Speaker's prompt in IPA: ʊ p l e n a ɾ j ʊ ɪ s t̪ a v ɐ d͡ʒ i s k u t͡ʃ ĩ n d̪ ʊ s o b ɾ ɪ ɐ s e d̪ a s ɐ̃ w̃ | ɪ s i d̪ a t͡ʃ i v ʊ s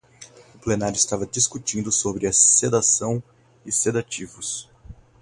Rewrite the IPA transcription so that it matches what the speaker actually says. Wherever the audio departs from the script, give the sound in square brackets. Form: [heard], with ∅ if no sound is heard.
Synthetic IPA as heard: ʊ p l e n a ɾ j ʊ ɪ s t̪ a v ɐ d͡ʒ i s k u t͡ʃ ĩ n d̪ ʊ s o b ɾ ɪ ɐ s e d̪ a s ɐ̃ w̃ | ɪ s [e] d̪ a t͡ʃ i v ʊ s

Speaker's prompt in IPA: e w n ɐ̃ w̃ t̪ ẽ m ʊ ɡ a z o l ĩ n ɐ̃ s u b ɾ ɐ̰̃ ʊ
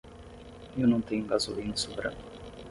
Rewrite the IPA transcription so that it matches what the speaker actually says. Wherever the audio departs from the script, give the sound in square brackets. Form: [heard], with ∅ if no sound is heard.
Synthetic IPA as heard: e w n ɐ̃ w̃ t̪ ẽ [ɲ] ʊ ɡ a z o l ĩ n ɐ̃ s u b ɾ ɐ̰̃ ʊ

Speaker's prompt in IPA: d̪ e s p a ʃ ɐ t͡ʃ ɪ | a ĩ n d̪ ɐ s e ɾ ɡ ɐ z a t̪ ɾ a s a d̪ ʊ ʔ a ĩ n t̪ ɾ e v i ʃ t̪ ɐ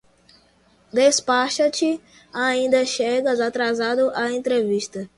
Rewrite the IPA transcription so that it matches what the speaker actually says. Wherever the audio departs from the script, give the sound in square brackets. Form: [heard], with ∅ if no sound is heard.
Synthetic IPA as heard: d̪ e s p a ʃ ɐ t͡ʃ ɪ | a ĩ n d̪ ɐ [ʃ] e [∅] ɡ ɐ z a t̪ ɾ a [z] a d̪ ʊ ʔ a [ẽ] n t̪ ɾ e v i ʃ t̪ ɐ

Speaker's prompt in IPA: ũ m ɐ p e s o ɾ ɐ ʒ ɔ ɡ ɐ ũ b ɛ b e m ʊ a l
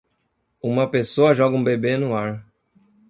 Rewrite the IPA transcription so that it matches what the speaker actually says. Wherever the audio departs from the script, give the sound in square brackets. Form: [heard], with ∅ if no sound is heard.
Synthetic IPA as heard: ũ m ɐ p e s o [∅] ɐ ʒ ɔ ɡ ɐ ũ b [e] b e [n] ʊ a [ɾ]

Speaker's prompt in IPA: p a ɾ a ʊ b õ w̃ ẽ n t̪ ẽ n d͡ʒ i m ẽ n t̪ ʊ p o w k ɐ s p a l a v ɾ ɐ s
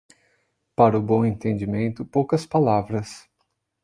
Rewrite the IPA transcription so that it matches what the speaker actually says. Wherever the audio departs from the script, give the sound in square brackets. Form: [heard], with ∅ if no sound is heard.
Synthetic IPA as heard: p a ɾ [ɐ] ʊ b õ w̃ ẽ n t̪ ẽ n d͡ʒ i m ẽ n t̪ ʊ p o w k ɐ s p a l a v ɾ ɐ s

